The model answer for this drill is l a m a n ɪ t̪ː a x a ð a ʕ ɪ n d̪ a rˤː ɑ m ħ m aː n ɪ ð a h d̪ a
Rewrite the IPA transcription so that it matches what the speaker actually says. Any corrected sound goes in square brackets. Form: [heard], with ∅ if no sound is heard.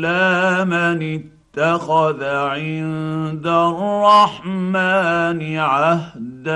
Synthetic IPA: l a m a n ɪ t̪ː a x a ð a ʕ ɪ n d̪ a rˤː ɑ [∅] ħ m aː n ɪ [ʕ] a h d̪ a